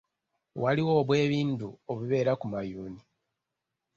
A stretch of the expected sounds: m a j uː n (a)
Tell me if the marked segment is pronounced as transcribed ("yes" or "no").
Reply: no